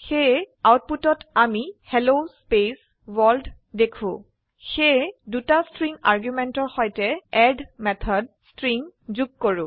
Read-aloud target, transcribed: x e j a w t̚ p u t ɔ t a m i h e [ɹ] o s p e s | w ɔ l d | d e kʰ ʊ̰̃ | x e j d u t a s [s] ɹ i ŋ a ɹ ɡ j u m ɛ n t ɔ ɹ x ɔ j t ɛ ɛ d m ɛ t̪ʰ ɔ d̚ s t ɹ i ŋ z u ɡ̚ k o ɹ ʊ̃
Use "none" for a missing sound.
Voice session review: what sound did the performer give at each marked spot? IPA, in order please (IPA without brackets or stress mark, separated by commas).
l, t